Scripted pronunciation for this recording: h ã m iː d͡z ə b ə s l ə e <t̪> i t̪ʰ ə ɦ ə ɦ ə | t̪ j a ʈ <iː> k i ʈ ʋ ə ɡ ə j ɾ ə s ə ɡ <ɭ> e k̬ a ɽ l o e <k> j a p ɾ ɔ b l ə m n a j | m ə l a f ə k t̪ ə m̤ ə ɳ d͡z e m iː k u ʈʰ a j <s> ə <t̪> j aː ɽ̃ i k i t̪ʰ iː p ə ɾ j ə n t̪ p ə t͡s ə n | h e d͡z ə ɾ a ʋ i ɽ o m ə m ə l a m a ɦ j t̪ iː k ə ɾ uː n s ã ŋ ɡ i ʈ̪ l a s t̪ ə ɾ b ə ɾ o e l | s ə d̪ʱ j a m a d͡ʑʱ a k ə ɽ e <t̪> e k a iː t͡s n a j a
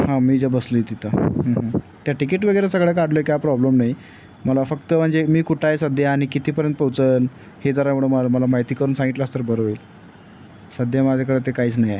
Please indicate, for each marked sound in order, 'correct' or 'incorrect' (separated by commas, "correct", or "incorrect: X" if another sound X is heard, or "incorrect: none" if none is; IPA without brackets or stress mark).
correct, incorrect: i, correct, correct, correct, incorrect: d̪, correct